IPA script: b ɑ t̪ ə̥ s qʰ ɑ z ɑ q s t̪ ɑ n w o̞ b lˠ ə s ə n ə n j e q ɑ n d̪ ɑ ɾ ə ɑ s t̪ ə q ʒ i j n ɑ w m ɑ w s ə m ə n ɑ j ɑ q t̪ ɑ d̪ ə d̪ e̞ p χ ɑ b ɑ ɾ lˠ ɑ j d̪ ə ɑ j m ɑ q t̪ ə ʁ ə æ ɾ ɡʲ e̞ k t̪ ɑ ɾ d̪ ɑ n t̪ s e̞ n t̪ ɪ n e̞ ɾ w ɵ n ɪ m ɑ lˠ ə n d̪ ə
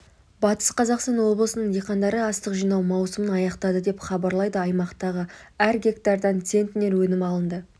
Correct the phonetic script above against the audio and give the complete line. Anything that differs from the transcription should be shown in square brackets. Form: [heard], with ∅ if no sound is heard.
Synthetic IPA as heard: b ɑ t̪ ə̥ s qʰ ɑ z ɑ q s t̪ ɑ n w o̞ b lˠ ə s ə n ə [ɴ] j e q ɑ n d̪ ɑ ɾ ə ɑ s t̪ ə q ʒ i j n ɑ w m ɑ w s ə m ə n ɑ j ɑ q t̪ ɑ d̪ ə d̪ e̞ p χ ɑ b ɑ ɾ lˠ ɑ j d̪ ə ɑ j m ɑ q t̪ [ɑ] ʁ ə æ ɾ ɡʲ e̞ k t̪ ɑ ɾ d̪ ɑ n t̪ s e̞ n t̪ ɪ n e̞ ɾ w ɵ n ɪ m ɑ lˠ ə n d̪ ə